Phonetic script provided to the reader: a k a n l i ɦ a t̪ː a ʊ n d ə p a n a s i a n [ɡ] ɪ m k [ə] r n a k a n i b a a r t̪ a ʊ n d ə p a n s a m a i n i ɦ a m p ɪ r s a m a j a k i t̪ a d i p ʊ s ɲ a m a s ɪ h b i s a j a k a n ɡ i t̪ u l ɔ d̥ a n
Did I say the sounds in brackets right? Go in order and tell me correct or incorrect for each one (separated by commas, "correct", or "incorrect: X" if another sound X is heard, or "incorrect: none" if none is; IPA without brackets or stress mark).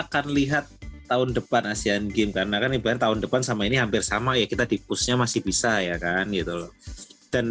correct, incorrect: a